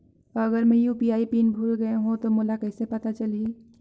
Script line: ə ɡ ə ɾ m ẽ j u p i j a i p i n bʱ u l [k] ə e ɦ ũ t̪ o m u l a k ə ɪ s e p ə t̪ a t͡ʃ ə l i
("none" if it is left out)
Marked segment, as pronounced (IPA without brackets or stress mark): ɡ